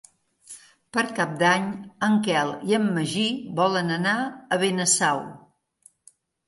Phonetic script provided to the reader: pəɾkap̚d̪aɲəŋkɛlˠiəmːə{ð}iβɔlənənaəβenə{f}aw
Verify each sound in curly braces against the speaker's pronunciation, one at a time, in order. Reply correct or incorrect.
incorrect: ʒ, incorrect: s

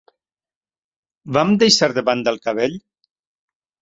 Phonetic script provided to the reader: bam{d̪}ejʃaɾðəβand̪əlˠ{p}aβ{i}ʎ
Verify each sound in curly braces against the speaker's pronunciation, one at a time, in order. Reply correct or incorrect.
correct, incorrect: k, incorrect: e

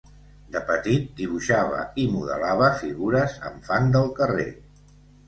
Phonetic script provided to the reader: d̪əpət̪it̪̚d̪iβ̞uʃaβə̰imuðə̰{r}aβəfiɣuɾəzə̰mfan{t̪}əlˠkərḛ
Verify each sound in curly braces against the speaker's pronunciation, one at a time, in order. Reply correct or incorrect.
incorrect: l, incorrect: d̪

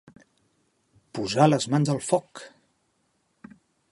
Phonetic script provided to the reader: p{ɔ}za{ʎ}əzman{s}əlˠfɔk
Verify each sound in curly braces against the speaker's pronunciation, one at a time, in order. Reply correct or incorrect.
incorrect: u, incorrect: l, incorrect: z

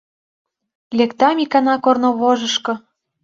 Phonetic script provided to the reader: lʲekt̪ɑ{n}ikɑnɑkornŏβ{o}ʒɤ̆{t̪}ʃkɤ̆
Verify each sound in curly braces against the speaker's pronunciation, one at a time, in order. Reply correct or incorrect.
incorrect: m, correct, incorrect: none

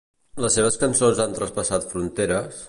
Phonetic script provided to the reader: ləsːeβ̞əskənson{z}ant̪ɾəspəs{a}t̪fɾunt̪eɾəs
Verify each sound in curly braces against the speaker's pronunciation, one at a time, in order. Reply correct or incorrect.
correct, correct

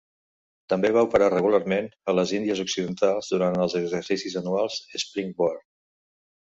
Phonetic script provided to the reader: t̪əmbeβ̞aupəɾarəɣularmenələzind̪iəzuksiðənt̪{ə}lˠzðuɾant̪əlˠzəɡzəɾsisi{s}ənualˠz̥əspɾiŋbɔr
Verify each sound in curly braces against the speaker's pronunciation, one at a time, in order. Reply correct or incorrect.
incorrect: a, incorrect: z

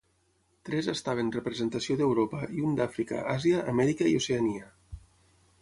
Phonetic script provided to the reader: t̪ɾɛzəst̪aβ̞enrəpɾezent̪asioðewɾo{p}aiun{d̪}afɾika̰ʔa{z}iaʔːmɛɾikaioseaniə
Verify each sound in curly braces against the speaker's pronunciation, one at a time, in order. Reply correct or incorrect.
correct, correct, correct

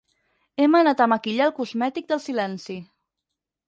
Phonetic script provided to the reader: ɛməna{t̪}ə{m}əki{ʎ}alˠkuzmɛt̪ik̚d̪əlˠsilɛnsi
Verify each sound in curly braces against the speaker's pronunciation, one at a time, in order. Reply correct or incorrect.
correct, correct, correct

